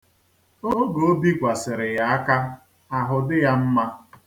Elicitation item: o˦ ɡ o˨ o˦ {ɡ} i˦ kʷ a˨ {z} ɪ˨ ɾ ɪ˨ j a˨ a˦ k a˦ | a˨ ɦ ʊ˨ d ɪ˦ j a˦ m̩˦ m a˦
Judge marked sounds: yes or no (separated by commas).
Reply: no, no